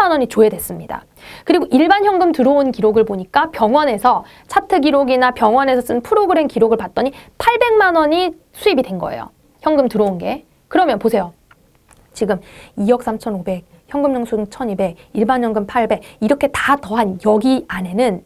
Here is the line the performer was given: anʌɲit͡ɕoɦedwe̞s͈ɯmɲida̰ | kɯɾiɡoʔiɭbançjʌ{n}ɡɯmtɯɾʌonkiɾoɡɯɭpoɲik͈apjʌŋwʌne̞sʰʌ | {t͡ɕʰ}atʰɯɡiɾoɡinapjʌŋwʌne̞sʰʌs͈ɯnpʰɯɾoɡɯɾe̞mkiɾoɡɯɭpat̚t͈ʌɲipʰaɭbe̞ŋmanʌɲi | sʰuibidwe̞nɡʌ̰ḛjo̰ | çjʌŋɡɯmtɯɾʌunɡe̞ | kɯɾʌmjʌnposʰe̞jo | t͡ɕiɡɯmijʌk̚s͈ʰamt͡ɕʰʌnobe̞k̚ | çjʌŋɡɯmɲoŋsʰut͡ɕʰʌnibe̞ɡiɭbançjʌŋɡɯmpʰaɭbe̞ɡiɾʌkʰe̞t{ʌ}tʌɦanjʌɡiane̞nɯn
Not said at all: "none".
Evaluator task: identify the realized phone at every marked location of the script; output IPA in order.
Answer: ŋ, t͡ɕʰ, a

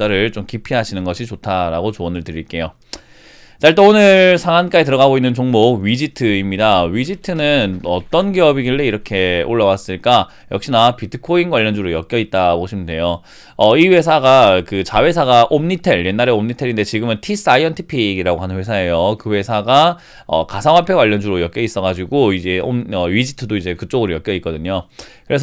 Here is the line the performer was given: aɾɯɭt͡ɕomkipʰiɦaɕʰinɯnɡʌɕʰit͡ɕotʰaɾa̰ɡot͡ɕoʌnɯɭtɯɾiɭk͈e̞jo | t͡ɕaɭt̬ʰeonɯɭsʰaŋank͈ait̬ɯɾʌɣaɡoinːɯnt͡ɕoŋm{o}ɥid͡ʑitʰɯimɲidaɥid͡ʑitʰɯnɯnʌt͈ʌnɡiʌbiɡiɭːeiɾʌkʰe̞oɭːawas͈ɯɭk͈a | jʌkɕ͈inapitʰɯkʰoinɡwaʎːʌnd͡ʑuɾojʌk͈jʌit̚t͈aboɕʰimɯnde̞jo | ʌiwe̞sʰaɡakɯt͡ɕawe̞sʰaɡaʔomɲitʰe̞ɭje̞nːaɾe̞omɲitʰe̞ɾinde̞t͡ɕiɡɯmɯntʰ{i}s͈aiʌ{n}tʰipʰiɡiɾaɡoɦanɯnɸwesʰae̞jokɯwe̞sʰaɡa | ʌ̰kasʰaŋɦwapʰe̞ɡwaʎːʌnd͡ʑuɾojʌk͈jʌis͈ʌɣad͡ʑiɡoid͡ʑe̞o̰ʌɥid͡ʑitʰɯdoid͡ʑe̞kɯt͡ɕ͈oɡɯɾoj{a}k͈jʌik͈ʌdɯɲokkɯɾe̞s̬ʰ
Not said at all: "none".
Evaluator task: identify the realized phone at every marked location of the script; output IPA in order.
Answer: o, i, n, ʌ

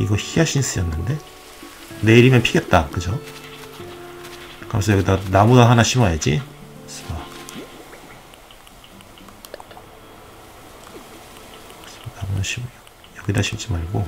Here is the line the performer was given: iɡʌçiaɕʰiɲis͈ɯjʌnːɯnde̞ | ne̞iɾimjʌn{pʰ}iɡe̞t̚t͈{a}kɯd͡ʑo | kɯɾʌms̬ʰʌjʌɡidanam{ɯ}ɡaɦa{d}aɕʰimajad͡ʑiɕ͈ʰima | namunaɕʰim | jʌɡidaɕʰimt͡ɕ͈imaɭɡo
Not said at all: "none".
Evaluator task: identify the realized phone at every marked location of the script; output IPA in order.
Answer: pʰ, a, u, n

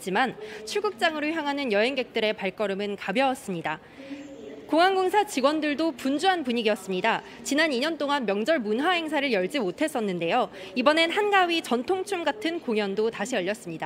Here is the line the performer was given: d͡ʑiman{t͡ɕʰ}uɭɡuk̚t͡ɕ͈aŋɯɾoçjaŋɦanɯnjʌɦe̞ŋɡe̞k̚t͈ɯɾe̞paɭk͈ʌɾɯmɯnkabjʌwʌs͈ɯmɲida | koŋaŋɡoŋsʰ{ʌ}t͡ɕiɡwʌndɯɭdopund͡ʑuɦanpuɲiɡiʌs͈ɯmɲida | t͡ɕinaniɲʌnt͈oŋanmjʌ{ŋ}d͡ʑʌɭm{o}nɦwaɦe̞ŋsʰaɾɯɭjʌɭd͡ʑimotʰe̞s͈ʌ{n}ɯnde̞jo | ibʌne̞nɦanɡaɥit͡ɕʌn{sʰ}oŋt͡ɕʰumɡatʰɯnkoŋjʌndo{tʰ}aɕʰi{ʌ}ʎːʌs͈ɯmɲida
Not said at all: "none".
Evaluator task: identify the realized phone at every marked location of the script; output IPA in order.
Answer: t͡ɕʰ, a, ŋ, u, nː, tʰ, t, ʌ

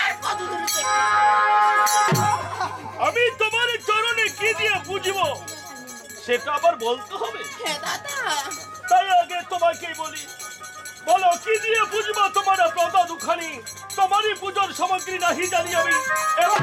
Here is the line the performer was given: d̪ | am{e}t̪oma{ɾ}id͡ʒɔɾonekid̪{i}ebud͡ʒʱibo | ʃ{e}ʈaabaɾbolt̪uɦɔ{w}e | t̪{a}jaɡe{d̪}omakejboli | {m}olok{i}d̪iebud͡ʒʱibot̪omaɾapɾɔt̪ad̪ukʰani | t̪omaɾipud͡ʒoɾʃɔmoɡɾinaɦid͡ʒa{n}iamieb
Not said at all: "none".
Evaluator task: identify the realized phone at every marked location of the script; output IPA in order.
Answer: i, ɾ, i, e, b, a, t̪, b, i, n

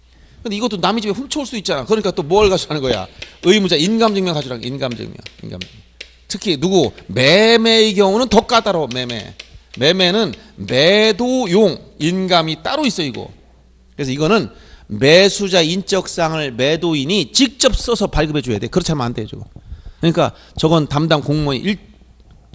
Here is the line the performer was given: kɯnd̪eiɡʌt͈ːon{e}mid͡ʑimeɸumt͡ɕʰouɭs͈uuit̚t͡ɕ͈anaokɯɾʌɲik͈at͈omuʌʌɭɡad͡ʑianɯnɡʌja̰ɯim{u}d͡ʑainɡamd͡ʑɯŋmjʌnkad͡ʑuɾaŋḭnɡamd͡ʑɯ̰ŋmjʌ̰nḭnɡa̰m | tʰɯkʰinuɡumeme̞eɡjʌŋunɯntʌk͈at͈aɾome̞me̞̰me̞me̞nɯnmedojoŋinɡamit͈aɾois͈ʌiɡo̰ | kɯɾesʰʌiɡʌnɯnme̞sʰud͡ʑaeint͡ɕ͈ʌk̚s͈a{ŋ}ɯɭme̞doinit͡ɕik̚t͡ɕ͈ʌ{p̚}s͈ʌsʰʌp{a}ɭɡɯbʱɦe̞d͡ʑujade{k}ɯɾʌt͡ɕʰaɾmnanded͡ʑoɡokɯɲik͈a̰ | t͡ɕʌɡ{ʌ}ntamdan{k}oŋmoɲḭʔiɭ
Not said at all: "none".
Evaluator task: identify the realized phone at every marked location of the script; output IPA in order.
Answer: a, u, ŋ, p̚, a, k, ʌ, k

